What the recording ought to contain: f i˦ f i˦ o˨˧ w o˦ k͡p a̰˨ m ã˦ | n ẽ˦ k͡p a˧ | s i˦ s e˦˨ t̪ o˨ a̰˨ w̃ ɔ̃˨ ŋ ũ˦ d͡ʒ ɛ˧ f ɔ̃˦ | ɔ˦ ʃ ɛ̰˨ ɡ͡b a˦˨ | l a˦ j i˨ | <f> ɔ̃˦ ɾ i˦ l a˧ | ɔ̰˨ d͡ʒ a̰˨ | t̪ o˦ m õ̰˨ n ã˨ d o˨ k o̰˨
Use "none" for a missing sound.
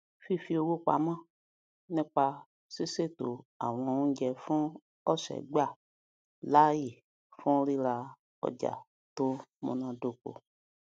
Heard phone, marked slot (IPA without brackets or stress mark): f